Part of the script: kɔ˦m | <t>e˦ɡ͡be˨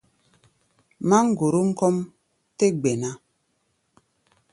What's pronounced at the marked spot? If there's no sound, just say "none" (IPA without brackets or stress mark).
t